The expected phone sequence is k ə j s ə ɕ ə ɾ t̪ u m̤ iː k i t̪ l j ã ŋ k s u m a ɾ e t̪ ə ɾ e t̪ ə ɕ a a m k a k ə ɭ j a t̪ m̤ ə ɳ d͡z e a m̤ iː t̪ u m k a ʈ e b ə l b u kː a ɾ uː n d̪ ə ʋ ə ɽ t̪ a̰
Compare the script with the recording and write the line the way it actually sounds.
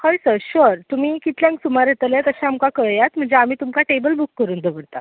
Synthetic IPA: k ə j s ə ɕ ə ɾ t̪ u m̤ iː k i t̪ l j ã ŋ k s u m a ɾ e t̪ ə l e t̪ ə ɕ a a m k a k ə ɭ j a t̪ m̤ ə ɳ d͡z e a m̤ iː t̪ u m k a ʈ e b ə l b u kː ə ɾ uː n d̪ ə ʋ ə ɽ t̪ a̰